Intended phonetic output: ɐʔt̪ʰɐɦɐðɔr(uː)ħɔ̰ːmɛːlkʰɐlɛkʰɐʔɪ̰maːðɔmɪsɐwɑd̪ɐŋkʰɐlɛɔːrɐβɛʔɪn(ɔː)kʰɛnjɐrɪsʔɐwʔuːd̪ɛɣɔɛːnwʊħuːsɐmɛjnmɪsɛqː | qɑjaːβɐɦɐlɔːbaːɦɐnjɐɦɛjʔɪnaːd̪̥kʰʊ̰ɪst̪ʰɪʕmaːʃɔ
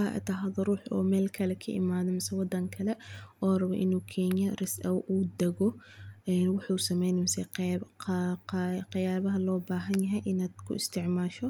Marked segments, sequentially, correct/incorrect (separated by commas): correct, incorrect